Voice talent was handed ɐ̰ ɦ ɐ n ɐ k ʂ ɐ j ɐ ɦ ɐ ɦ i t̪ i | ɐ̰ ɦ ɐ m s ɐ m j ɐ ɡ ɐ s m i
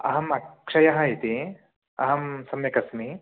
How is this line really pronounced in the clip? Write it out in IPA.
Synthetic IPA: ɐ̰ ɦ ɐ m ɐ k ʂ ɐ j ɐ ɦ ɐ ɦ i t̪ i | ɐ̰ ɦ ɐ m s ɐ m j ɐ k ɐ s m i